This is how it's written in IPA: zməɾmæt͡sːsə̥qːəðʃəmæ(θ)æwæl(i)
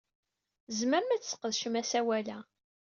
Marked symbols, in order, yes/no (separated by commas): no, no